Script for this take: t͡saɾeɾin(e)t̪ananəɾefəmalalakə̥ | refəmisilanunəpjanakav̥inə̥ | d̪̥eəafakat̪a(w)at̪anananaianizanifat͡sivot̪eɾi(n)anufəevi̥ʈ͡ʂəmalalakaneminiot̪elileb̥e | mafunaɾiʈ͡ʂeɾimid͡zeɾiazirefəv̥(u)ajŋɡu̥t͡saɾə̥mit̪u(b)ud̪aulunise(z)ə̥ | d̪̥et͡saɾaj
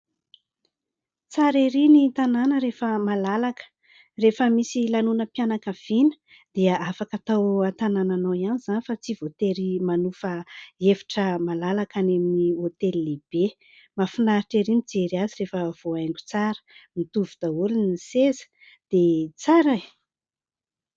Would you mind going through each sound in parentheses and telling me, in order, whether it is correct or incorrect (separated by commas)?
incorrect, correct, incorrect, incorrect, incorrect, correct